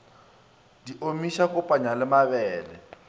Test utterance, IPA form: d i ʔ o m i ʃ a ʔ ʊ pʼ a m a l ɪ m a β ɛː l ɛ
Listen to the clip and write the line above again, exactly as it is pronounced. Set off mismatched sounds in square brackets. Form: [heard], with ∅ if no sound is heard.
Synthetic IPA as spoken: d i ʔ o m i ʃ a [k] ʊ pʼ a [ɲ] a l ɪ m a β ɛː l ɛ